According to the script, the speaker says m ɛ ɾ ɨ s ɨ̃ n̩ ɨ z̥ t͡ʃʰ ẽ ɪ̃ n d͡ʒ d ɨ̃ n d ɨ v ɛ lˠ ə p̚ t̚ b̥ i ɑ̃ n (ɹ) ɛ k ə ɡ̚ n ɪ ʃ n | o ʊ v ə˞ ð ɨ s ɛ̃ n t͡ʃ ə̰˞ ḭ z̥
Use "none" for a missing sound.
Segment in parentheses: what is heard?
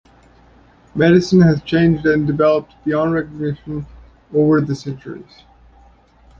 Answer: ɹ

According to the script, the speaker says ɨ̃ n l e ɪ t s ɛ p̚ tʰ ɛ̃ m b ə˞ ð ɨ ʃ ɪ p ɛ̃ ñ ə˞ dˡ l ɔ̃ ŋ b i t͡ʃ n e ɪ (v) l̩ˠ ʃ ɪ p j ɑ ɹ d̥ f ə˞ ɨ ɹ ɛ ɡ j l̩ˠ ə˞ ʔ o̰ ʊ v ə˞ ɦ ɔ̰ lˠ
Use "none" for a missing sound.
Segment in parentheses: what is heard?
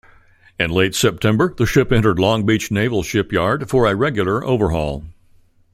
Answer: v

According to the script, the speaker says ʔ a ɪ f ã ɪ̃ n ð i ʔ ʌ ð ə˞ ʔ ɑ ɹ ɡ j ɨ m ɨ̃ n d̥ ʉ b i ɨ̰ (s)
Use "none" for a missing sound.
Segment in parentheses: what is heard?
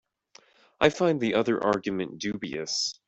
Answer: s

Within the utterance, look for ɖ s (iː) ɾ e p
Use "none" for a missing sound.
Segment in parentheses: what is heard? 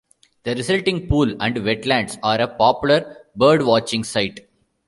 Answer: aː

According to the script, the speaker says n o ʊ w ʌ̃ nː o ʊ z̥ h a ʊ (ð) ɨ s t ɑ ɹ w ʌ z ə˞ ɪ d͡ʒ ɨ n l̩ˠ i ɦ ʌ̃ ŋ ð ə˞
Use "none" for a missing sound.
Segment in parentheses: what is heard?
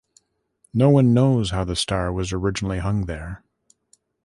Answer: ð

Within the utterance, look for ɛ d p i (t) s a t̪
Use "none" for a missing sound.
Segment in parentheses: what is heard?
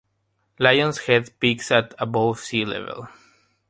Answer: k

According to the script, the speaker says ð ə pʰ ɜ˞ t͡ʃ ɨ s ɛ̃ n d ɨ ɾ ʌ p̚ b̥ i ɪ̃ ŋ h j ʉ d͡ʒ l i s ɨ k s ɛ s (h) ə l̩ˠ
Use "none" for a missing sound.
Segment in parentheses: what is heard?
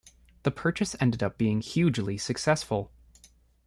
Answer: f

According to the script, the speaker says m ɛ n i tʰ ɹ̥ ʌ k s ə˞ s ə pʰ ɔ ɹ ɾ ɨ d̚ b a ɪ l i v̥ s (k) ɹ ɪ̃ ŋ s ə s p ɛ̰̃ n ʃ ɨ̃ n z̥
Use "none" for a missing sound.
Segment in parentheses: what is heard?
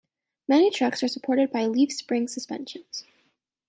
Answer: p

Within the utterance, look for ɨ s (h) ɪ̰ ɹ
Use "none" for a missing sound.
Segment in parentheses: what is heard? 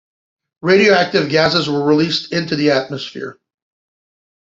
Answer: f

